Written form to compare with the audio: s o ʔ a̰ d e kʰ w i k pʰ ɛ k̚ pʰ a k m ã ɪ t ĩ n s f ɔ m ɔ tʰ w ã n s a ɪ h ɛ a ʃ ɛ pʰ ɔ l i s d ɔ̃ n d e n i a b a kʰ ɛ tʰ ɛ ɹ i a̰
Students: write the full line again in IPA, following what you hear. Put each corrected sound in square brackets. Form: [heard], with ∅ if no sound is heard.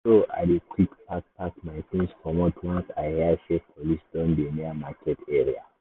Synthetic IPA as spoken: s o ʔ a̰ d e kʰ w i k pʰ [a] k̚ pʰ a k m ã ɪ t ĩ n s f ɔ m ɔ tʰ w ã n s a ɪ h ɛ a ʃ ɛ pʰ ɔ l i s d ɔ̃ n d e n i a [m] a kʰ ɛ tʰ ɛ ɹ i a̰